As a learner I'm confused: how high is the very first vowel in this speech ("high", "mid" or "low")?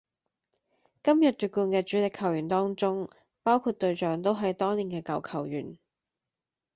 low